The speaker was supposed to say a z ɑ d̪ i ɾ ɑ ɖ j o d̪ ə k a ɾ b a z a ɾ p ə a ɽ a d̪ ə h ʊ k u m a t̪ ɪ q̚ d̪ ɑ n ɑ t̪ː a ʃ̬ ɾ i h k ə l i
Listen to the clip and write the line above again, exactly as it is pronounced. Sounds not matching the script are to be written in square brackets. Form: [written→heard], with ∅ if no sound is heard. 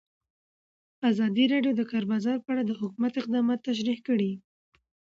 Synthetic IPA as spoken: a z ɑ d̪ i ɾ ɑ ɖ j o d̪ ə k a ɾ b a z [a→ɑ] ɾ p ə a ɽ a d̪ ə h ʊ k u m a t̪ ɪ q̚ d̪ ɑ [n→m] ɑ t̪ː a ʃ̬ ɾ i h k ə [l→ɽ] i